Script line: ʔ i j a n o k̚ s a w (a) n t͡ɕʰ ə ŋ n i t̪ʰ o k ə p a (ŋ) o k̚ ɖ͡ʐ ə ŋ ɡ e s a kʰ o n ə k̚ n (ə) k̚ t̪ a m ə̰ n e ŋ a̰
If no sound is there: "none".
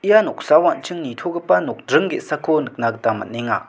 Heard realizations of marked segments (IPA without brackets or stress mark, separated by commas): a, n, a